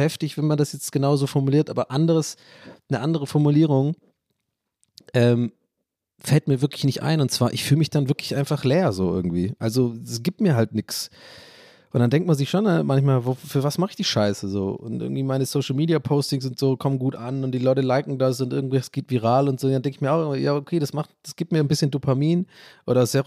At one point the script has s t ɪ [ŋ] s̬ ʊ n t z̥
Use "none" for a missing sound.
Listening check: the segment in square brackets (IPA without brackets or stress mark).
ŋ